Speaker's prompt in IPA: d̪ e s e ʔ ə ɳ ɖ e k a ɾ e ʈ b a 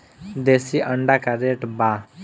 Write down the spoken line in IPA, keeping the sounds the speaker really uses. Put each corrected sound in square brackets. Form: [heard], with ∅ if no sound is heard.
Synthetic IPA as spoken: d̪ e s [i] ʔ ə ɳ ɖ [a] k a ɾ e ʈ b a